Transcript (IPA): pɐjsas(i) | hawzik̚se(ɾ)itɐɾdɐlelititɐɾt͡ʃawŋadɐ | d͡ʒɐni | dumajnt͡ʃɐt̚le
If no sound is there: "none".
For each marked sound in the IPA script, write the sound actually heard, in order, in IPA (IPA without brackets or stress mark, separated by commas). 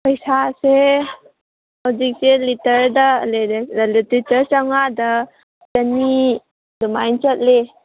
e, l